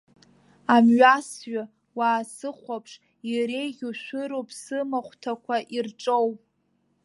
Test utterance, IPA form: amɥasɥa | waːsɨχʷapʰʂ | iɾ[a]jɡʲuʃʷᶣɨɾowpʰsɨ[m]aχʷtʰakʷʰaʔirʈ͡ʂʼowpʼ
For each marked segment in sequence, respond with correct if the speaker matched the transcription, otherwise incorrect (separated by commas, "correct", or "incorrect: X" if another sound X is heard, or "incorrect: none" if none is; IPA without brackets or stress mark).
incorrect: e, correct